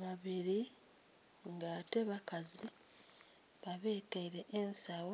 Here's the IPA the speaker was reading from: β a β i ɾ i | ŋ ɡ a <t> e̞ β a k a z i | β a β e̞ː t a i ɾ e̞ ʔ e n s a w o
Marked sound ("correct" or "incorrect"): correct